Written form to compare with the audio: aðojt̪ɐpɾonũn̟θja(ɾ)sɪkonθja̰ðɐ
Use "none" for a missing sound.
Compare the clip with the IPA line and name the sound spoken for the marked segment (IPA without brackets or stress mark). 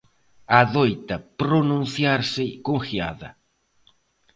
ɾ